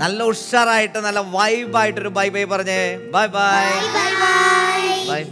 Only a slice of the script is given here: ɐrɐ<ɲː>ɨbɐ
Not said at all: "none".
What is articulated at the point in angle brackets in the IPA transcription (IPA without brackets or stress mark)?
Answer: ɲː